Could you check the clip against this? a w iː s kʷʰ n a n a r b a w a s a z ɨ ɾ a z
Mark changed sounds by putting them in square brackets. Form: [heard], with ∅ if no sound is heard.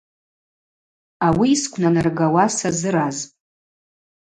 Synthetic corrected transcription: a w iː s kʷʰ n a n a r [ɡ] a w a s a z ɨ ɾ a z

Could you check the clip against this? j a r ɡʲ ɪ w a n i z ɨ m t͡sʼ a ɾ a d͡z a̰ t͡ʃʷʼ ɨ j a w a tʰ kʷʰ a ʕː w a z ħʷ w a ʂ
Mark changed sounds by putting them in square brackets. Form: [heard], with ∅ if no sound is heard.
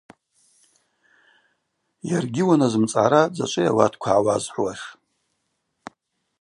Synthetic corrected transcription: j a r ɡʲ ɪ w a n [a] z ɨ m t͡sʼ a ɾ a d͡z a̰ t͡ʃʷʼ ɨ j a w a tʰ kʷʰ a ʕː w a z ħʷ w a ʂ

